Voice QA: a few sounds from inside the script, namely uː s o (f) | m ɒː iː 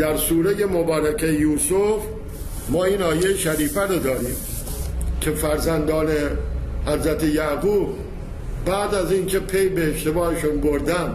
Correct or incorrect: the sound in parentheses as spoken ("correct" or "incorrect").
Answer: correct